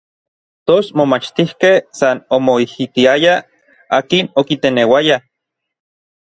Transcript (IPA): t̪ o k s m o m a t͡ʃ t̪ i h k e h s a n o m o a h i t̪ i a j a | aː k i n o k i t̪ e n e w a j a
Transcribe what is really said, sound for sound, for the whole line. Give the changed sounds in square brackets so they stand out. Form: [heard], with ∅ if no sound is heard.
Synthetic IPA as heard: t̪ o [∅] s m o m a t͡ʃ t̪ i h k e h s a n o m o [i] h i t̪ i a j a | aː k i n o k i t̪ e n e w a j a